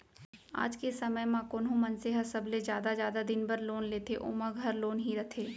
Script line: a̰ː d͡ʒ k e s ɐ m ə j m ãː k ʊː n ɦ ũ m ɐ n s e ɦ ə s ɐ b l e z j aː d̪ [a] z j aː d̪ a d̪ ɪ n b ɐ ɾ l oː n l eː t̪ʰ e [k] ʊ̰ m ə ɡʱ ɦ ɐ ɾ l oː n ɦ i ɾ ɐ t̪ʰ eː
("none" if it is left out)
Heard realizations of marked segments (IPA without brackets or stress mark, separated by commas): a, ʔ